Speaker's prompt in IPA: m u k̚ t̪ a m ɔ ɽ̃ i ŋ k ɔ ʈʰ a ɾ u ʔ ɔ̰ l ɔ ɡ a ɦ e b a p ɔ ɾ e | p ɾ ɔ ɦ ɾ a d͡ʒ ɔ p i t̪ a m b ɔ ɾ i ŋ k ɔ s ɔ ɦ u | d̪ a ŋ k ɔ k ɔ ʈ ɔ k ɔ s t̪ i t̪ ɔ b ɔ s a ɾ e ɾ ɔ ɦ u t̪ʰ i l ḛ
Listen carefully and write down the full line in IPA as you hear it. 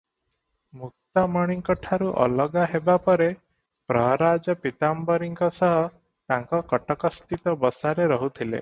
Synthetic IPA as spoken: m u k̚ t̪ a m ɔ ɽ̃ i ŋ k ɔ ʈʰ a ɾ u ʔ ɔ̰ l ɔ ɡ a ɦ e b a p ɔ ɾ e | p ɾ ɔ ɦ ɾ a d͡ʒ ɔ p i t̪ a m b ɔ ɾ i ŋ k ɔ s ɔ ɦ ɔ | t̪ a ŋ k ɔ k ɔ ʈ ɔ k ɔ s t̪ i t̪ ɔ b ɔ s a ɾ e ɾ ɔ ɦ u t̪ʰ i l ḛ